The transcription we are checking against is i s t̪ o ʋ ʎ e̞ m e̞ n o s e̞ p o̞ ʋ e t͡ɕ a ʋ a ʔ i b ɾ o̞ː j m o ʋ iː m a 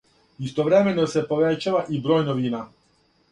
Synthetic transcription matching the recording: i s t̪ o ʋ ɾ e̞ m e̞ n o s e̞ p o̞ ʋ e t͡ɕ a ʋ a ʔ i b ɾ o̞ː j n o ʋ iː n a